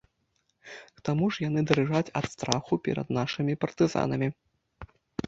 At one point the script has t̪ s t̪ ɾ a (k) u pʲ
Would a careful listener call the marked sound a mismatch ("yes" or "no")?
yes